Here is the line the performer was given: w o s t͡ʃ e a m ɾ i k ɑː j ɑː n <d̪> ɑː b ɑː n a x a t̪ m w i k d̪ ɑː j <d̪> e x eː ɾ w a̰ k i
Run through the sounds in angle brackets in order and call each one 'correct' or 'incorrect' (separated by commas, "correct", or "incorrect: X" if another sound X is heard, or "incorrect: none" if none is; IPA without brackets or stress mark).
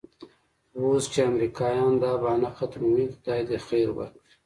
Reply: correct, correct